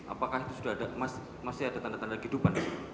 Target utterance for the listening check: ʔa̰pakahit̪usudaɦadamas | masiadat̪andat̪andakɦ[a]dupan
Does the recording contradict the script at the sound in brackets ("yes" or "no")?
yes